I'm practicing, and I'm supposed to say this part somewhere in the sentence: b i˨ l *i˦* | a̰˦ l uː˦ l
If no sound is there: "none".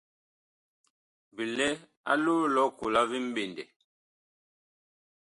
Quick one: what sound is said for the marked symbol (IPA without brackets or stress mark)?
ɛ˦